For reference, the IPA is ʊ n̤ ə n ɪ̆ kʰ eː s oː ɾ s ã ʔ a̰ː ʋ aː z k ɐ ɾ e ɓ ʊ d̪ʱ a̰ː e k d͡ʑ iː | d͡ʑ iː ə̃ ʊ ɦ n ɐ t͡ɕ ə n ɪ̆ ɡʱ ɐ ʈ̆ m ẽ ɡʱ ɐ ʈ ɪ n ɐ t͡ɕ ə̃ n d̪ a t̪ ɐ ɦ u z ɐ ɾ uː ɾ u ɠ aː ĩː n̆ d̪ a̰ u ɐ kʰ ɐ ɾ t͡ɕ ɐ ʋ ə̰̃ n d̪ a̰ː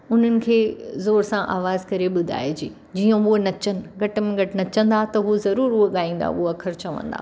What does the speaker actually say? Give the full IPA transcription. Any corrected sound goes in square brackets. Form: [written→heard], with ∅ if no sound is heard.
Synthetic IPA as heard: ʊ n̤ ə n ɪ̆ kʰ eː [s→z] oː ɾ s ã ʔ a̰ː ʋ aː z k ɐ ɾ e ɓ ʊ d̪ʱ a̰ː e [k→∅] d͡ʑ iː | d͡ʑ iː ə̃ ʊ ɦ n ɐ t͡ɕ ə n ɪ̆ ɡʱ ɐ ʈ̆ m ẽ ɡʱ ɐ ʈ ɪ n ɐ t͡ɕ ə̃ n d̪ a t̪ ɐ ɦ u z ɐ ɾ uː ɾ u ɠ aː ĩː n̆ d̪ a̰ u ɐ kʰ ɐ ɾ t͡ɕ ɐ ʋ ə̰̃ n d̪ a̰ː